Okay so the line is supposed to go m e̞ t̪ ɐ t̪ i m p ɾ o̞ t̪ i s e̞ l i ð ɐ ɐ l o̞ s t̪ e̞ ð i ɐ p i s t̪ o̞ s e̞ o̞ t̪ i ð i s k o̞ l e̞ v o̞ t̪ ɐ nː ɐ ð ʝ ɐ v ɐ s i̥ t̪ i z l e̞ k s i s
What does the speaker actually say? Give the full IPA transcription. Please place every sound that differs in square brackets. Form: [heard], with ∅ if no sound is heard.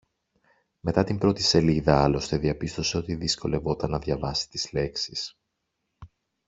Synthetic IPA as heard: m e̞ t̪ ɐ t̪ i m [b] ɾ o̞ t̪ i s e̞ l i ð ɐ ɐ l o̞ s t̪ e̞ ð i ɐ p i s t̪ o̞ s e̞ o̞ t̪ i ð i s k o̞ l e̞ v o̞ t̪ ɐ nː ɐ ð ʝ ɐ v ɐ s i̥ t̪ i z l e̞ k s i s